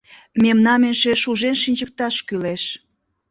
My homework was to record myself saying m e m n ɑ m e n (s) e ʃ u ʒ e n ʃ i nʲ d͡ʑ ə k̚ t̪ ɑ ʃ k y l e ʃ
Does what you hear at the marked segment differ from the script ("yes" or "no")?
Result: yes